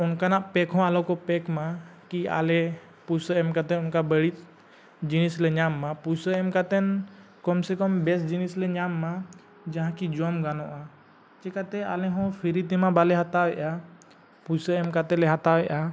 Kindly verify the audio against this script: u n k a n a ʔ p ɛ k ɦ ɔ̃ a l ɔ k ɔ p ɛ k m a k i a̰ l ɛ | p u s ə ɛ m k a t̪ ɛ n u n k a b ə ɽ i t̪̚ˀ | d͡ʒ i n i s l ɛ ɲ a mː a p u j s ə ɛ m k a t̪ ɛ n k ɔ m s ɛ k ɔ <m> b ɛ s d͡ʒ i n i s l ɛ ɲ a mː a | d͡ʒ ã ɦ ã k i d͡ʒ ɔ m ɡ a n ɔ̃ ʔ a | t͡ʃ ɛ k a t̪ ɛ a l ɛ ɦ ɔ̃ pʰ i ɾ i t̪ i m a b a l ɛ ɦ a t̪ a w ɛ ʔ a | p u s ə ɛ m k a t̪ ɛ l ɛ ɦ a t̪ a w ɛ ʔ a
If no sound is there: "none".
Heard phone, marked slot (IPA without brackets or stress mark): m